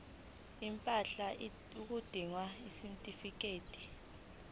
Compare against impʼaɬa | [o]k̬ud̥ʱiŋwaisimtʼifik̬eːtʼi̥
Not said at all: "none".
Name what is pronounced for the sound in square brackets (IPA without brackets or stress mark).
u